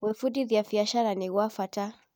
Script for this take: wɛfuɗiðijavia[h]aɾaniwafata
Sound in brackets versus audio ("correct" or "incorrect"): incorrect